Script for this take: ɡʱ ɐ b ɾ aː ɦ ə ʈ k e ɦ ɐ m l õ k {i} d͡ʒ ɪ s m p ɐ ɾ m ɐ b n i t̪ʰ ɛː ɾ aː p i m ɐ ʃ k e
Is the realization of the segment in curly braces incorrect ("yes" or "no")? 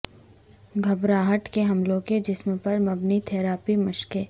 yes